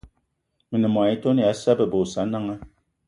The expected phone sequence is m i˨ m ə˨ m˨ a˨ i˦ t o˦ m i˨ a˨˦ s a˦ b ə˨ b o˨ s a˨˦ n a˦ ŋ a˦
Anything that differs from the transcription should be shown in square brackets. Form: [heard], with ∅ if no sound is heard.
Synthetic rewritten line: m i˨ [n] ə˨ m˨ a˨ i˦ t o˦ [n] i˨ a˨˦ s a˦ b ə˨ b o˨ s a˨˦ n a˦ ŋ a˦